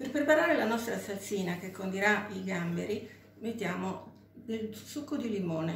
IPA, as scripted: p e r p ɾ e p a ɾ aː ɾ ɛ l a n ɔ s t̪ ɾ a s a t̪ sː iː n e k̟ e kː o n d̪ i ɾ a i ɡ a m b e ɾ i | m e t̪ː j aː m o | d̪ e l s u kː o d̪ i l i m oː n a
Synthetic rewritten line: p e r p ɾ e p a ɾ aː ɾ e l a n ɔ s t̪ ɾ a s a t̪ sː iː n a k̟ e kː o n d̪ i ɾ a i ɡ a m b e ɾ i | m e t̪ː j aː m o | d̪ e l s u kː o d̪ i l i m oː n e